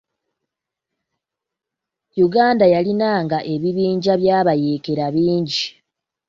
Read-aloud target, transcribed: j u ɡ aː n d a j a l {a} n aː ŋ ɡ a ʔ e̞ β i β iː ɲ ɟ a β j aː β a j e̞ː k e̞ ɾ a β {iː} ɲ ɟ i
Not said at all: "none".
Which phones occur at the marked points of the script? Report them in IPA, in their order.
i, iː

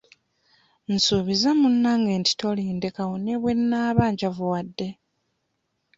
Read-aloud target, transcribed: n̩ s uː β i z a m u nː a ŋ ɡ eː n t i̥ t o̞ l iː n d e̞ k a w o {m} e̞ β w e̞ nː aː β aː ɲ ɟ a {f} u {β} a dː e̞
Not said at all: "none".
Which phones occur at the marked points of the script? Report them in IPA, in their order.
n, v, w

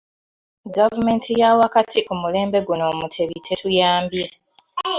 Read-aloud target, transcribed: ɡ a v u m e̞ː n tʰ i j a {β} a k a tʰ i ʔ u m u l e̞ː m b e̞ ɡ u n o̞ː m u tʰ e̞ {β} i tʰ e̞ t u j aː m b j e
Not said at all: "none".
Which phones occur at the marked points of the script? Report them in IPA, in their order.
w, β

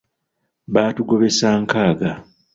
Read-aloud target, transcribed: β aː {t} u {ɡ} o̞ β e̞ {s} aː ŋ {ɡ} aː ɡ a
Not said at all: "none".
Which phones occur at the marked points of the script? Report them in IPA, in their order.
t, ɡ, s, k

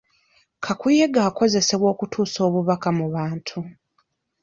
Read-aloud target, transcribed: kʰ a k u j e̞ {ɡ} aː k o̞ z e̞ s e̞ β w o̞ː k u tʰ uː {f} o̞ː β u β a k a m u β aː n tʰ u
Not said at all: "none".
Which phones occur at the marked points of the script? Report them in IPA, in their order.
ɡ, s

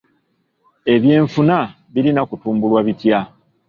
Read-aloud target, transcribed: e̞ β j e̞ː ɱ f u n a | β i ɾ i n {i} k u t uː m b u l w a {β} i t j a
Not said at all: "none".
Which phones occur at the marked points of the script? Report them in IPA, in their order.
a, β

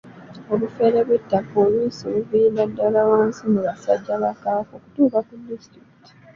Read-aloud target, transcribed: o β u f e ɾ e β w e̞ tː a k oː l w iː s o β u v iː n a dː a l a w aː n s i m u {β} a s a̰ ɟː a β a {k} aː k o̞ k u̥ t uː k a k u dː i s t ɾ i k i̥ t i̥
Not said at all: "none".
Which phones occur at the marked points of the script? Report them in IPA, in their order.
β, k

